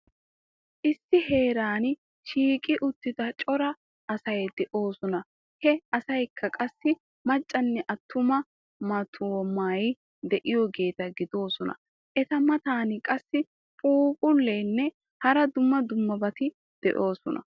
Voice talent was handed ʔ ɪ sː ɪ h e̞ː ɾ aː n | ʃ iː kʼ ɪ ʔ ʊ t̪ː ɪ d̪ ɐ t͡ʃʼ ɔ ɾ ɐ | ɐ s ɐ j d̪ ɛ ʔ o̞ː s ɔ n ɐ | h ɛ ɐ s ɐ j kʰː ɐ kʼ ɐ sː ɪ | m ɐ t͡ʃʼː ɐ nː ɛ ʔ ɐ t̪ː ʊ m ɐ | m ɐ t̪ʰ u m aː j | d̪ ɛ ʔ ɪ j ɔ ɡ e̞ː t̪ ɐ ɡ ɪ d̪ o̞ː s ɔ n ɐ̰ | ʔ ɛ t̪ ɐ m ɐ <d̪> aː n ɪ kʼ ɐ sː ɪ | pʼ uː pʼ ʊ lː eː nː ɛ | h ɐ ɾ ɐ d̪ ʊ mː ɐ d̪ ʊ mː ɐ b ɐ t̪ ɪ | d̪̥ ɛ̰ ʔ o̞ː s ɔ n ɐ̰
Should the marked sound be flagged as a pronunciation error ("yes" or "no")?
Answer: yes